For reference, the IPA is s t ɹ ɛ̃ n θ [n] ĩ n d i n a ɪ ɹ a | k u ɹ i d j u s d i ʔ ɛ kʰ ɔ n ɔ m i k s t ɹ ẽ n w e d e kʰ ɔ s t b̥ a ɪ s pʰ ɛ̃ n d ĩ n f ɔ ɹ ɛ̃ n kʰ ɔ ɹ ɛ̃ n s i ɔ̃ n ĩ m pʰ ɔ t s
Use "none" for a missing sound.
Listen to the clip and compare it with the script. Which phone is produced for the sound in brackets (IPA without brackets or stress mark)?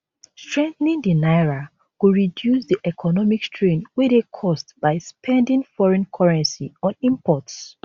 n